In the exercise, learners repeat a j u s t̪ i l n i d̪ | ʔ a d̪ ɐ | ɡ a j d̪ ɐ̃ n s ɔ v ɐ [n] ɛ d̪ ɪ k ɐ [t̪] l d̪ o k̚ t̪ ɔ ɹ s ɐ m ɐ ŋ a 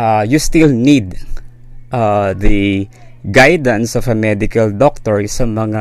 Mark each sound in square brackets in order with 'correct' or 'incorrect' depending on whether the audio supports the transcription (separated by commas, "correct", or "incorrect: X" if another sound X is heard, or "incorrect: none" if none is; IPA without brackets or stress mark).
incorrect: m, incorrect: none